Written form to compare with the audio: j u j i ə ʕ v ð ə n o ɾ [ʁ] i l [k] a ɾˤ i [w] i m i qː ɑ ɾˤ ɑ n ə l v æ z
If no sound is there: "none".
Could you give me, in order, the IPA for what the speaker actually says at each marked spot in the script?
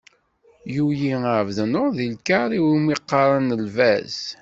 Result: ð, k, w

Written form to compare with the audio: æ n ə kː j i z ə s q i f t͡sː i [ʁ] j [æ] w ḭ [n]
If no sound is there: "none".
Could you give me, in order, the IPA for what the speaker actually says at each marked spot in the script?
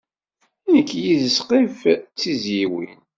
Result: z, i, n

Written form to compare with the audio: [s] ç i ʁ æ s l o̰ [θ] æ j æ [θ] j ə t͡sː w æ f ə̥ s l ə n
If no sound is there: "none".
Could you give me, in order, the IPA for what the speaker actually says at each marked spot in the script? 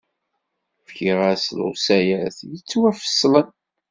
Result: f, s, θ

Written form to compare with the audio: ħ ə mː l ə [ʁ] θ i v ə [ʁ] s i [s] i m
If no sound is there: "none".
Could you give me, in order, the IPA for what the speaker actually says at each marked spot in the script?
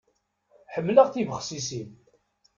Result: ʁ, χ, s

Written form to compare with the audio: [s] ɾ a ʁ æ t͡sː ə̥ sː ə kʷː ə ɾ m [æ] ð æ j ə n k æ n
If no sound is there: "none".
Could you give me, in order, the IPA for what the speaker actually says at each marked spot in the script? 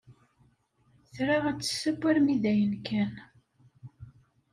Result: θ, i

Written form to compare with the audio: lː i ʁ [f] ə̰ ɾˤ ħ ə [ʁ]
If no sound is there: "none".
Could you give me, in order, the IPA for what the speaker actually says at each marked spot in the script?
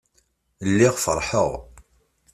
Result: f, ʁ

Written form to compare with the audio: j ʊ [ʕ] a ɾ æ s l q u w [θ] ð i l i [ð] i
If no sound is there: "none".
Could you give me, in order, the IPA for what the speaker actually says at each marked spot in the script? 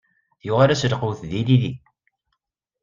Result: ʁ, θ, ð

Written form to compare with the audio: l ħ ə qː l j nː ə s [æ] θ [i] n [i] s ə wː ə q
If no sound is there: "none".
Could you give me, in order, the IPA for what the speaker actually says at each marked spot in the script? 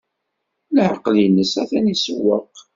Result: æ, æ, i

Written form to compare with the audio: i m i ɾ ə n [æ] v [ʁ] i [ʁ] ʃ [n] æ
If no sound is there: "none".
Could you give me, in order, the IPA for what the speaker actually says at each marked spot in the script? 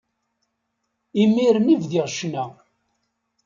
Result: i, ð, ʁ, n

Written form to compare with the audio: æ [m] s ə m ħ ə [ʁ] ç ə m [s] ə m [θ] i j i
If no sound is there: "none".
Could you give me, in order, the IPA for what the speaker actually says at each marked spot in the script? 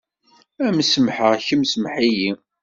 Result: m, ʁ, s, ħ

